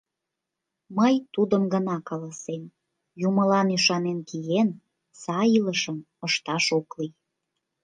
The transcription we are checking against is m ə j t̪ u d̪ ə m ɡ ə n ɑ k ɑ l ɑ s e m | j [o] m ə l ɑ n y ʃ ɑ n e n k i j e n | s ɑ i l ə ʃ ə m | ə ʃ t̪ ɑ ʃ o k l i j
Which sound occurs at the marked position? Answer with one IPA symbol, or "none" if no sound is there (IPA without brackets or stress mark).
u